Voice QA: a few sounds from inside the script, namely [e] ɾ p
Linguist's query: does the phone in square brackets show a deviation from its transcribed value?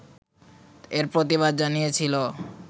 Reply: no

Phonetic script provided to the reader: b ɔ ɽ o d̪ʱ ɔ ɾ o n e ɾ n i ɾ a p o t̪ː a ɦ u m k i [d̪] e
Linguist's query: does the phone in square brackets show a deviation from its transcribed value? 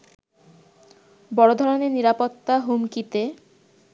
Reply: yes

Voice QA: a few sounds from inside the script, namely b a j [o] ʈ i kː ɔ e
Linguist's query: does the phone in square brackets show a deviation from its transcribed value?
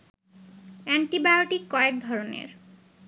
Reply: no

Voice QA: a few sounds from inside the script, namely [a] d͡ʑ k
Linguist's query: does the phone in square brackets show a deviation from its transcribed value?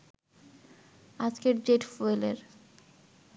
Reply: no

